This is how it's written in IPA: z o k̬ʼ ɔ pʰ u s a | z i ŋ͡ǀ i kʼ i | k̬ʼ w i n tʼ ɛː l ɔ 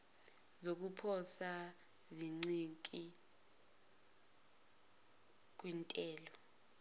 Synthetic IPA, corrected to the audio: z o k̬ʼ u pʰ ɔ s a | z i ŋ͡ǀ i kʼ i | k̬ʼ w i n tʼ ɛː l ɔ